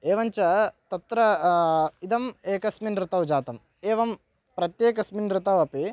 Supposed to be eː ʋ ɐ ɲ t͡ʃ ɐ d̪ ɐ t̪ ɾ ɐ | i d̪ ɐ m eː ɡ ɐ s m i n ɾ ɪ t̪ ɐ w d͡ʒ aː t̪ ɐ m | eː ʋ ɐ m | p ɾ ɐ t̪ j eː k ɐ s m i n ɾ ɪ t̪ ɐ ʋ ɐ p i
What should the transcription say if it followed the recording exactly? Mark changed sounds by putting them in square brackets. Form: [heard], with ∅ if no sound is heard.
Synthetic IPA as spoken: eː ʋ ɐ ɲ t͡ʃ ɐ [t̪] ɐ t̪ ɾ ɐ | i d̪ ɐ m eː [k] ɐ s m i n ɾ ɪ t̪ ɐ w d͡ʒ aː t̪ ɐ m | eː ʋ ɐ m | p ɾ ɐ t̪ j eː k ɐ s m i n ɾ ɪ t̪ ɐ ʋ ɐ p i